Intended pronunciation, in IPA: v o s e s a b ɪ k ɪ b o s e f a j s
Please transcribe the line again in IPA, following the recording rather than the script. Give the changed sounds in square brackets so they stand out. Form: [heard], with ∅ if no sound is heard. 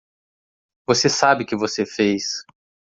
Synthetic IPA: v o s e s a b ɪ k ɪ [v] o s e f [e] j s